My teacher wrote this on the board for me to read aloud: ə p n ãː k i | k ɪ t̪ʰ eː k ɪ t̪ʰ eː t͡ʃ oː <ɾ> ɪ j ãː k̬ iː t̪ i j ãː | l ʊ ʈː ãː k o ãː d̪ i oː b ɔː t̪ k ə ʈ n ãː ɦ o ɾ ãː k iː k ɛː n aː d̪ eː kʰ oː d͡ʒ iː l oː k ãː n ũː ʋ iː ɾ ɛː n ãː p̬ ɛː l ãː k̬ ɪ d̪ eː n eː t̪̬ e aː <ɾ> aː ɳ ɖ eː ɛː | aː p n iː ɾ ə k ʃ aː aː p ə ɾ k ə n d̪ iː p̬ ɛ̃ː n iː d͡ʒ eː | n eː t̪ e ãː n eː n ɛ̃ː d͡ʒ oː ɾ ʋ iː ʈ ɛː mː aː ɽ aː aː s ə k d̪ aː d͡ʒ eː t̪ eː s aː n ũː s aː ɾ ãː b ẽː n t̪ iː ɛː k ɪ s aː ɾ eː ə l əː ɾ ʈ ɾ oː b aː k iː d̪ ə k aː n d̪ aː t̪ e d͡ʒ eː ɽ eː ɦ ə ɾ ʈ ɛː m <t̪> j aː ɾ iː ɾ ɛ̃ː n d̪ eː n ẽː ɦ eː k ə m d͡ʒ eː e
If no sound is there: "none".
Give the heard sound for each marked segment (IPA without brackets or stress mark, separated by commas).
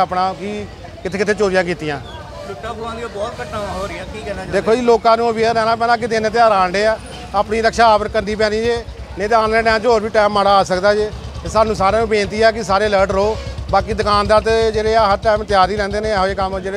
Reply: ɾ, ɾ, t̪